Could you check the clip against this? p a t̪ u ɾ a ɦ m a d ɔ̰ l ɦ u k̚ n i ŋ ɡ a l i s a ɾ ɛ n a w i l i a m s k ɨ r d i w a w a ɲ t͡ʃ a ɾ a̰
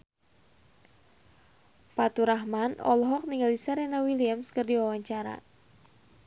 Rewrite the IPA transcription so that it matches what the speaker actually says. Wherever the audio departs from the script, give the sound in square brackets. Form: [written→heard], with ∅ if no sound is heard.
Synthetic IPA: p a t̪ u ɾ a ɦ m a [d→n] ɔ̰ l ɦ [u→ɔ] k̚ n i ŋ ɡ a l i s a ɾ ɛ n a w i l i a m s k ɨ r d i w a w a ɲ t͡ʃ a ɾ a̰